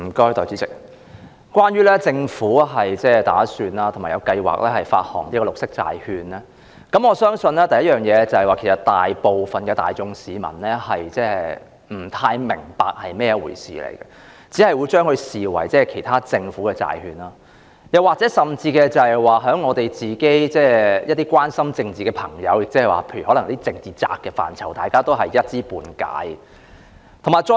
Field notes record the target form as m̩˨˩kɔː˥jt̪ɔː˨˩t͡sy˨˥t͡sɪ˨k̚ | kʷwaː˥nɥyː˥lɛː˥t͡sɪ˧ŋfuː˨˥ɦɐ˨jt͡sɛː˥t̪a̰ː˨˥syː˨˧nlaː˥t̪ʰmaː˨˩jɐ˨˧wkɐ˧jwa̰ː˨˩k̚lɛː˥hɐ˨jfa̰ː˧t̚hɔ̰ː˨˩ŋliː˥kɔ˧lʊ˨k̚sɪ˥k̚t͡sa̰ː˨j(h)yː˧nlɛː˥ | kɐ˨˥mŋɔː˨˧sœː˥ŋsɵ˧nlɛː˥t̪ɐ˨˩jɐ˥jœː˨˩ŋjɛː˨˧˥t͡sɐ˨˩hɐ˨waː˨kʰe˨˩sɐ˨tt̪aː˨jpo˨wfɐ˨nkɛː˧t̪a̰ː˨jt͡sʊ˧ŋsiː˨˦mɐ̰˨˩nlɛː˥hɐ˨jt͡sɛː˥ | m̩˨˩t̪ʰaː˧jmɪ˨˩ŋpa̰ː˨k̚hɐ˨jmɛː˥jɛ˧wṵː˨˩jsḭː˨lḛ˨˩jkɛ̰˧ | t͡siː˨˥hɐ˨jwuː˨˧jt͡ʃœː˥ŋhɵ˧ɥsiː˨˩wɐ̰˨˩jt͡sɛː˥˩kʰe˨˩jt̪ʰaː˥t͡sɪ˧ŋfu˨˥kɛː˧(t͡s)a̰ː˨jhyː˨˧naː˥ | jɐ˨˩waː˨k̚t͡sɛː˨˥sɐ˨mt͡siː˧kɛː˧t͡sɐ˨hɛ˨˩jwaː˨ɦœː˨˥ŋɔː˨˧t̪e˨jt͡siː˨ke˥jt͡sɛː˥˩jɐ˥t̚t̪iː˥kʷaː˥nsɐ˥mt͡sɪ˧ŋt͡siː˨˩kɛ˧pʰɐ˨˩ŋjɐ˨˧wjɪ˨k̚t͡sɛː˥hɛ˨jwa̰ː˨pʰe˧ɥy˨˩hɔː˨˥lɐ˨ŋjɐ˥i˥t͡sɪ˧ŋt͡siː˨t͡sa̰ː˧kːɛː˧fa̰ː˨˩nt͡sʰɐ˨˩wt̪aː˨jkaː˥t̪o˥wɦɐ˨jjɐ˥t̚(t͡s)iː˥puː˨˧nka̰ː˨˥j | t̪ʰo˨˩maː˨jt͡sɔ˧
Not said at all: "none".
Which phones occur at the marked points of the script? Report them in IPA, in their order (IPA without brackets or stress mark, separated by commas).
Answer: h, t͡s, t͡s